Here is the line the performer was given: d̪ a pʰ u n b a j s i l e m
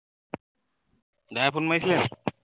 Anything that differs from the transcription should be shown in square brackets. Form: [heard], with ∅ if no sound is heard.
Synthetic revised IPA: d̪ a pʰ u n [m] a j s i l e [n]